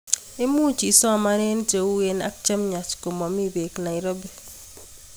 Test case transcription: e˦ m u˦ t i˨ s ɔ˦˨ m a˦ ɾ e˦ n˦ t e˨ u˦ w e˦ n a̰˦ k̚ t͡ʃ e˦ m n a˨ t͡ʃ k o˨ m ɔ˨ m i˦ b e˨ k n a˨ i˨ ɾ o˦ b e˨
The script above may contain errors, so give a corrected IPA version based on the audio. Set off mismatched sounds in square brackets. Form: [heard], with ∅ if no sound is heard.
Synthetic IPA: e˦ m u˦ [t͡ʃ] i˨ s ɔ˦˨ m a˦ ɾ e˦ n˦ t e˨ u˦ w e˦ n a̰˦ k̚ t͡ʃ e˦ m [ɲ] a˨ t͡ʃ k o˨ m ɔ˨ m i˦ b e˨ k n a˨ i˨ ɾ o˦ b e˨